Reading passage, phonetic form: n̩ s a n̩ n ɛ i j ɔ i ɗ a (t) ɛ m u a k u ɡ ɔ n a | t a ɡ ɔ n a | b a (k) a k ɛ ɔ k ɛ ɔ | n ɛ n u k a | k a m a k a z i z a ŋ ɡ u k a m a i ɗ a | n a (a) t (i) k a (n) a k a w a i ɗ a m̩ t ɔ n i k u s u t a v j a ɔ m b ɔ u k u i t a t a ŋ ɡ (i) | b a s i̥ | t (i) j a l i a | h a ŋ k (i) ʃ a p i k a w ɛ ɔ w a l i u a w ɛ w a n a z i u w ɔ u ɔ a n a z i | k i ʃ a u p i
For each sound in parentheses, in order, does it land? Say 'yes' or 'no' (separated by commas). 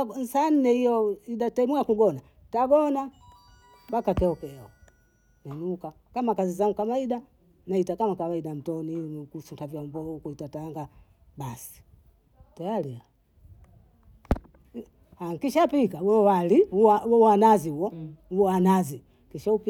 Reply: yes, yes, no, no, no, no, no, yes